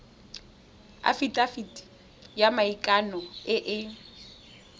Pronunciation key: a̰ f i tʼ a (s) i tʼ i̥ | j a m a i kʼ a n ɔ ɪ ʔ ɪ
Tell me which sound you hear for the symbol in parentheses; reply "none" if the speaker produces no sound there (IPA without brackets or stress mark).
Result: f